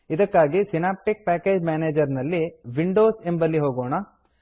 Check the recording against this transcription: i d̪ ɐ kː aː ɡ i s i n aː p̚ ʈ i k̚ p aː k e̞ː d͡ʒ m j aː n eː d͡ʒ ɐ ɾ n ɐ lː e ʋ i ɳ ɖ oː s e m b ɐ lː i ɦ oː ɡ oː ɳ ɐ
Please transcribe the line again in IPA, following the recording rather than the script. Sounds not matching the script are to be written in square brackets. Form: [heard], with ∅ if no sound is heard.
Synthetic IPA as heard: i d̪ ɐ kː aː ɡ i s i n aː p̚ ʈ i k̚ p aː k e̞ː d͡ʒ m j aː n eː d͡ʒ ɐ ɾ n ɐ lː [i] ʋ i ɳ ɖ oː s e m b ɐ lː i ɦ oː ɡ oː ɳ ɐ